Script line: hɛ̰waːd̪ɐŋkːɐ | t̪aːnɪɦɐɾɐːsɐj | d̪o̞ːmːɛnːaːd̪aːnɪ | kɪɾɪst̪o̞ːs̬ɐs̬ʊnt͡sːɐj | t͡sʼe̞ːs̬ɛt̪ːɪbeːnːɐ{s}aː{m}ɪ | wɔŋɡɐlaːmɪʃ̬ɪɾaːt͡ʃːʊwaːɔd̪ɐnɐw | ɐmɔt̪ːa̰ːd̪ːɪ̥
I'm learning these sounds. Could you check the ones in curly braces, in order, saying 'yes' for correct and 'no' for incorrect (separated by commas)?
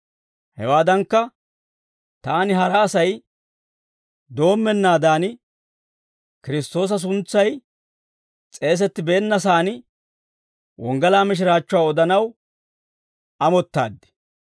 yes, no